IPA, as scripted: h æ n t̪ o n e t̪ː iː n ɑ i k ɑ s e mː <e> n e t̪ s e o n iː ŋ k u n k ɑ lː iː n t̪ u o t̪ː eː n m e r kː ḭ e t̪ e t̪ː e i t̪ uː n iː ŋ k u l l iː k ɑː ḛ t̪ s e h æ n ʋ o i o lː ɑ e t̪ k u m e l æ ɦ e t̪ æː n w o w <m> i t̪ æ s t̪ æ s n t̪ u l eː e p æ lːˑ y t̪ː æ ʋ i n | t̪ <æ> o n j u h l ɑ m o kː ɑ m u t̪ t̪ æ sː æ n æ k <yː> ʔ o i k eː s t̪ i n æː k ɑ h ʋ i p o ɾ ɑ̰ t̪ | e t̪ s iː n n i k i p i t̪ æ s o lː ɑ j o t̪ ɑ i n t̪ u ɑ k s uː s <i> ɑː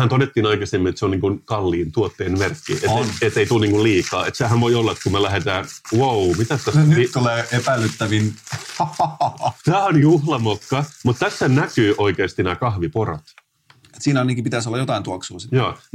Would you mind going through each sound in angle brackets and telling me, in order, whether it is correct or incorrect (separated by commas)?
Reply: incorrect, correct, incorrect, correct, incorrect